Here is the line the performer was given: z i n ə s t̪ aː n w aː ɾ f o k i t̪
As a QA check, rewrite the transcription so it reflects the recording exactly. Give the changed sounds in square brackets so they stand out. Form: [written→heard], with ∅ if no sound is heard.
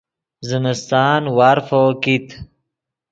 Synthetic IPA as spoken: z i [n→m] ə s t̪ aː n w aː ɾ f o k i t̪